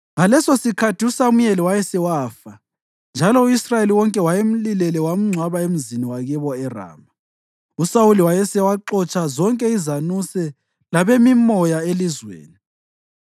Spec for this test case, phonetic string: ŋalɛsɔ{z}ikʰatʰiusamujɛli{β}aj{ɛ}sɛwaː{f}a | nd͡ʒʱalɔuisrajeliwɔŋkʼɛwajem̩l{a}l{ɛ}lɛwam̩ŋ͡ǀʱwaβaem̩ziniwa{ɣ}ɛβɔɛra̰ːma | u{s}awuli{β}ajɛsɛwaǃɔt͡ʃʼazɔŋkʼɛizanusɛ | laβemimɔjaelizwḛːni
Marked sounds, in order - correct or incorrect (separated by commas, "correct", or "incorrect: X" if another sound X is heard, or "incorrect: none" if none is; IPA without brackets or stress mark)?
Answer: incorrect: s, incorrect: w, correct, correct, incorrect: i, correct, correct, correct, incorrect: w